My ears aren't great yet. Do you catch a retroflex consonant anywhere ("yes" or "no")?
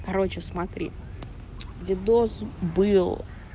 no